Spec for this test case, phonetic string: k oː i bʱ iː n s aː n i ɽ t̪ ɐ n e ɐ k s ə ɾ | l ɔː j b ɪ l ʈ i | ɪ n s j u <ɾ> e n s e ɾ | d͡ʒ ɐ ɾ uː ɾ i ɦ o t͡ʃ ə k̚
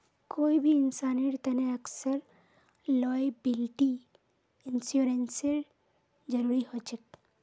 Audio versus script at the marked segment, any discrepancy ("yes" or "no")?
no